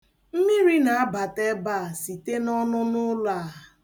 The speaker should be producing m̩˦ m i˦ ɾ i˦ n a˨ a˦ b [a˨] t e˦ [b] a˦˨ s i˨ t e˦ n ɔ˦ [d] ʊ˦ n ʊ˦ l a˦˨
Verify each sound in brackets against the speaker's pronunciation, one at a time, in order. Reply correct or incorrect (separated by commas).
correct, correct, incorrect